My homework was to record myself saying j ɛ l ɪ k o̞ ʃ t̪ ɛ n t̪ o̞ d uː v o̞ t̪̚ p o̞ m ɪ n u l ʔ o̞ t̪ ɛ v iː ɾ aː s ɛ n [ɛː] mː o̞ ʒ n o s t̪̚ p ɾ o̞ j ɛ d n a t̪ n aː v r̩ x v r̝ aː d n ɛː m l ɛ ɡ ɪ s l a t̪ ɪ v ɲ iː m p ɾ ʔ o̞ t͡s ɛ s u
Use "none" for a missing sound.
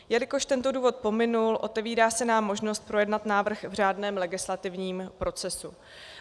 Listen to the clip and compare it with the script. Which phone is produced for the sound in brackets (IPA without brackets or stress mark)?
aː